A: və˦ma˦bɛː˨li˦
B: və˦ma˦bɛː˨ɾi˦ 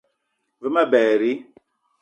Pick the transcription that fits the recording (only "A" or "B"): B